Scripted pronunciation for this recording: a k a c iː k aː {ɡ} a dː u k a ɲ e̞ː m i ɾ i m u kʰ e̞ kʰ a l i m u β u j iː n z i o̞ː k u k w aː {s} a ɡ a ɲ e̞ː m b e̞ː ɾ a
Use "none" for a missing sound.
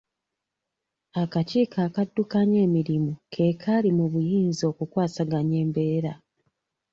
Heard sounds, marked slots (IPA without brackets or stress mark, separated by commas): k, s